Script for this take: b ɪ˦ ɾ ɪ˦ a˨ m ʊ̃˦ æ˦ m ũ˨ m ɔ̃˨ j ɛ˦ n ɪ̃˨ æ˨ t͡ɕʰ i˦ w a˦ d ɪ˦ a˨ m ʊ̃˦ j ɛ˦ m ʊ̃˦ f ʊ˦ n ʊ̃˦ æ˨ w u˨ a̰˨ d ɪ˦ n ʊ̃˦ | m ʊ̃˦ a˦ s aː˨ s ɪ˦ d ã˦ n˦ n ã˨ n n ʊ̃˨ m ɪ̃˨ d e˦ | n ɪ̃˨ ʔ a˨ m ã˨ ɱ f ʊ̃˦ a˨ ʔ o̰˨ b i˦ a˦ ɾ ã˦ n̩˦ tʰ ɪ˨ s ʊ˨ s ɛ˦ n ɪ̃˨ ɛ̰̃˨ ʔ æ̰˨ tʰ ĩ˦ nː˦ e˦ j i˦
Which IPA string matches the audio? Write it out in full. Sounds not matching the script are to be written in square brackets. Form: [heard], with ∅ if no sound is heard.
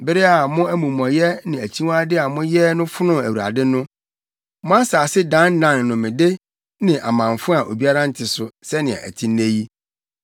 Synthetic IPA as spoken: b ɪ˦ ɾ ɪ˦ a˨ m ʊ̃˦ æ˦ m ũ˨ m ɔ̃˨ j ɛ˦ n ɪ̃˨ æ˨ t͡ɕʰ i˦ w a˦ d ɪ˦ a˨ m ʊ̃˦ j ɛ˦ [n] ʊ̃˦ f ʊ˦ n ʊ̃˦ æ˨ w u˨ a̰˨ d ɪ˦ n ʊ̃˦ | m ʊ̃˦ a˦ s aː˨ s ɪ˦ d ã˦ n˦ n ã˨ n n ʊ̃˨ m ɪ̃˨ d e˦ | n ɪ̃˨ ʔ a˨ m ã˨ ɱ f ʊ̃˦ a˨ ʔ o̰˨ b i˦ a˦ ɾ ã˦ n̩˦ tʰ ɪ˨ s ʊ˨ s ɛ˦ n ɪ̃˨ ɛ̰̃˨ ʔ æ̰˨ tʰ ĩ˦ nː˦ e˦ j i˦

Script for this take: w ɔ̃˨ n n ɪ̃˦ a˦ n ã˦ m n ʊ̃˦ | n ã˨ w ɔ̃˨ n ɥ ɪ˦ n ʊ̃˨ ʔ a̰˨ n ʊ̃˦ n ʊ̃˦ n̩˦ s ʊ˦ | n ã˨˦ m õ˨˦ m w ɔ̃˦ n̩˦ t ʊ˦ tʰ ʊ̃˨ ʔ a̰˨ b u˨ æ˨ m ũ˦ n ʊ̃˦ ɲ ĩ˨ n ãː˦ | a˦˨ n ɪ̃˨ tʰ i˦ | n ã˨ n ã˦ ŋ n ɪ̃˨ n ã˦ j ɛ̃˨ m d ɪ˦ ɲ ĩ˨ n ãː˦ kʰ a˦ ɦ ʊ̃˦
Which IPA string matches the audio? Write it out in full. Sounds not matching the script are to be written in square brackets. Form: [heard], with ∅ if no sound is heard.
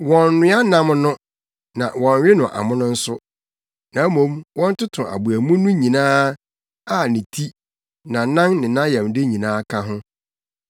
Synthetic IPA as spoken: w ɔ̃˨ n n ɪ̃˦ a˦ n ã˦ m n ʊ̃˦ | n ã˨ w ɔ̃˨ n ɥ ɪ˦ n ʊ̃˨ ʔ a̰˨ [m] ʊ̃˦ n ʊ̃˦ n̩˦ s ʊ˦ | n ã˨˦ m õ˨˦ m w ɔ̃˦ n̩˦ t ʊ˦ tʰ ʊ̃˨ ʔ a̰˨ b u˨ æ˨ m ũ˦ n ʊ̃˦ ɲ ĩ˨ n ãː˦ | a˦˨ n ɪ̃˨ tʰ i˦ | n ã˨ n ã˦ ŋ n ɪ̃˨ n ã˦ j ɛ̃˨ m d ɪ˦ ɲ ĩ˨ n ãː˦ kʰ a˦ ɦ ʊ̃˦

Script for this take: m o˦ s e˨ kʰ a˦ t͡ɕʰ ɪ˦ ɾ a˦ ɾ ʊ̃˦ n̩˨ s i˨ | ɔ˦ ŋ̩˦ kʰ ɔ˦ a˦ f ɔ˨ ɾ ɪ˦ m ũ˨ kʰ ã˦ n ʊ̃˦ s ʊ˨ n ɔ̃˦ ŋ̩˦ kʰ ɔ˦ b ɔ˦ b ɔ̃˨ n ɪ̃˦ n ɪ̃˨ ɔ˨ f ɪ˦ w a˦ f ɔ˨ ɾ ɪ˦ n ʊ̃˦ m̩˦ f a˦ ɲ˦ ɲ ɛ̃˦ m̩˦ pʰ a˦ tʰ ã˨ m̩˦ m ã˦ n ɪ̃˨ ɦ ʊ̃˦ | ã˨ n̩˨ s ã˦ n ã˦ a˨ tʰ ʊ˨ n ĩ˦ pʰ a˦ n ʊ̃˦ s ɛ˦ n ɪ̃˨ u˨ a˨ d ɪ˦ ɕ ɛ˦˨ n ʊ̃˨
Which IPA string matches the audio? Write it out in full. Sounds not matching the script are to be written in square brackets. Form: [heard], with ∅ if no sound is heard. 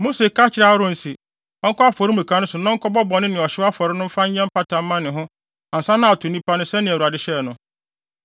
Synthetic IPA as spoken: m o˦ s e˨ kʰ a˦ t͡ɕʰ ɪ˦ ɾ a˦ ɾ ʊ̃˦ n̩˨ s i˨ | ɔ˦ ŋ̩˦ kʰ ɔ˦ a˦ f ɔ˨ ɾ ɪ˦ m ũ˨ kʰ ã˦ n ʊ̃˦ s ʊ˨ n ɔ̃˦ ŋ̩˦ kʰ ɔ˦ b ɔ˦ b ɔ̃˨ n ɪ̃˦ n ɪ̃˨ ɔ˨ [ɕ] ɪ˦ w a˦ f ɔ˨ ɾ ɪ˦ n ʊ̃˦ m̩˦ f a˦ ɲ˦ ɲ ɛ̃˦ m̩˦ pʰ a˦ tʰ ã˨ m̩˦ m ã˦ n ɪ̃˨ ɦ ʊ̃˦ | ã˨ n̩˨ s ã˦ n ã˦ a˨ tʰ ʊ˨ n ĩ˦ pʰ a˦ n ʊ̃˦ s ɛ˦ n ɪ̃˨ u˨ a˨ d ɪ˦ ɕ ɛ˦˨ n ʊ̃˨

